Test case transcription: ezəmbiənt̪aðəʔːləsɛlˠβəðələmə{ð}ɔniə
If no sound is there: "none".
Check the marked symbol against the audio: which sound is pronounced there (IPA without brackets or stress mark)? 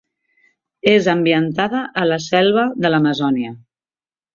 z